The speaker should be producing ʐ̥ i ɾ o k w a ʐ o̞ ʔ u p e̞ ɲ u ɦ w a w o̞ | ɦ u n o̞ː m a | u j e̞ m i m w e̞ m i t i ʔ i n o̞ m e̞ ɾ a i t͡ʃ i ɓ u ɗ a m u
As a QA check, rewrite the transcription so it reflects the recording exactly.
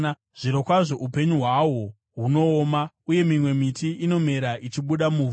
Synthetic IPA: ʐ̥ i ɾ o k w a ʐ o̞ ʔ u p e̞ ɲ u ɦ w a w o̞ | ɦ u n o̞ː m a | u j e̞ m i m w e̞ m i t i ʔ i n o̞ m e̞ ɾ a i t͡ʃ i ɓ u ɗ a m u